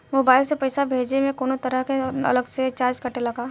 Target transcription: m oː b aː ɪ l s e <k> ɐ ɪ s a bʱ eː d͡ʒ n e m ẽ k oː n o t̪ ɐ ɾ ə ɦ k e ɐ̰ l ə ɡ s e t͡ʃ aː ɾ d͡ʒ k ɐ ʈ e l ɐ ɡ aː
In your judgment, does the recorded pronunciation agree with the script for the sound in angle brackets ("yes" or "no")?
no